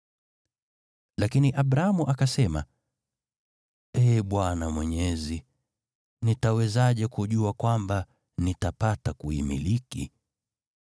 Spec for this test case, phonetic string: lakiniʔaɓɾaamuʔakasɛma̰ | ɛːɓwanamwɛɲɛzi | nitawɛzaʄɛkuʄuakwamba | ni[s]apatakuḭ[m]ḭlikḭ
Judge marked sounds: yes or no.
no, yes

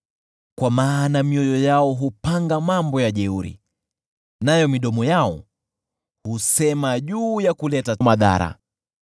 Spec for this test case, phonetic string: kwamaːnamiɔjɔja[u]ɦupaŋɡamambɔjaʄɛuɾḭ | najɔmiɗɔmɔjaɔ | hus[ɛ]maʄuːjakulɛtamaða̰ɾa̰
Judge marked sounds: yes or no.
no, yes

